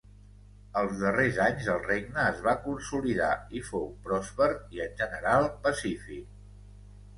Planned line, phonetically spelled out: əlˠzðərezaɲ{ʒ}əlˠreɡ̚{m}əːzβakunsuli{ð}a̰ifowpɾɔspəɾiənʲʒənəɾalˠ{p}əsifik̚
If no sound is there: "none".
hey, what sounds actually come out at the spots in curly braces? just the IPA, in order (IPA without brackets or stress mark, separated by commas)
z, n, ð, p